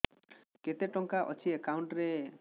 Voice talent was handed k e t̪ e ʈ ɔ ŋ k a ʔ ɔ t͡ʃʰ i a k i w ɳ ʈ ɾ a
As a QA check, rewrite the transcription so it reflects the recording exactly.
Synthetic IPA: k e t̪ e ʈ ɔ ŋ k a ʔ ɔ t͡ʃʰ i e k a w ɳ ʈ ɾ e